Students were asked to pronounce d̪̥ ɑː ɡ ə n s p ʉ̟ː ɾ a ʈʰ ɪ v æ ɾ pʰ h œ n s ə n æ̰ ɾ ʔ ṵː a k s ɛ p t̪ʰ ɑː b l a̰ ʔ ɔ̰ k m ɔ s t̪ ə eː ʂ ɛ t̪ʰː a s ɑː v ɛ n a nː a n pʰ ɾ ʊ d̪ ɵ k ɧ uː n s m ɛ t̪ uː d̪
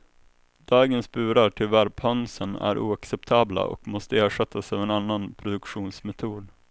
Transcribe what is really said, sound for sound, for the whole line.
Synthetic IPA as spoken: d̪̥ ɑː ɡ ə n s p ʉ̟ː ɾ a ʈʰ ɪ v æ ɾ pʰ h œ n s ə n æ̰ ɾ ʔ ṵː a k s ɛ p t̪ʰ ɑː b l a̰ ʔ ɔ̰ k m ɔ s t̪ ə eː ʂ ɛ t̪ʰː a s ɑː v ɛ n a nː a n pʰ ɾ ʊ d̪ ɵ k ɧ uː n s m ɛ t̪ʰ uː d̪